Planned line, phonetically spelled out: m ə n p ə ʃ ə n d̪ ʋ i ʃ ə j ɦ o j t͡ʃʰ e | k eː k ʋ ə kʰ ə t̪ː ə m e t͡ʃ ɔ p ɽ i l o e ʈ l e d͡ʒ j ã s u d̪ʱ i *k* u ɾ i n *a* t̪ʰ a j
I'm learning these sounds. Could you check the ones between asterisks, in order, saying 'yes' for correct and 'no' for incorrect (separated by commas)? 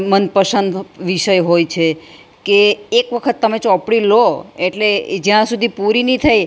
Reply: no, no